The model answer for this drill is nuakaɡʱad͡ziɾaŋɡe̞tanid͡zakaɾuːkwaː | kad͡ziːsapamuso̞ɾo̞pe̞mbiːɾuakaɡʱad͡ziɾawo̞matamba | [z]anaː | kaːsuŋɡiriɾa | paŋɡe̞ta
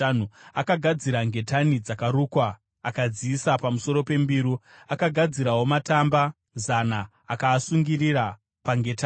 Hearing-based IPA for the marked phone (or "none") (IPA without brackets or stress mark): z